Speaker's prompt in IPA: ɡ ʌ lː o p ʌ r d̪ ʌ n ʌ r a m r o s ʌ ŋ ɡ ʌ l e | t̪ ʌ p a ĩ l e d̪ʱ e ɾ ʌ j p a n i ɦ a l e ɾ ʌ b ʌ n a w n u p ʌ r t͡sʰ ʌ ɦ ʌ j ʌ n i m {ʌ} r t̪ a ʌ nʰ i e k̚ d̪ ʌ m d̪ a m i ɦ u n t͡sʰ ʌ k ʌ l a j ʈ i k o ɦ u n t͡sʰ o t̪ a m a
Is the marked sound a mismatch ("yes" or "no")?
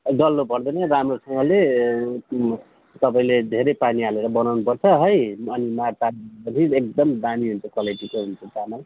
yes